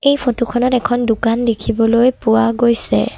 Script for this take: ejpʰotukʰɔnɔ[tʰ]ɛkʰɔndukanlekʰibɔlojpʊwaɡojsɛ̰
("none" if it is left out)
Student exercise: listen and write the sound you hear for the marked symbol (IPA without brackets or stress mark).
t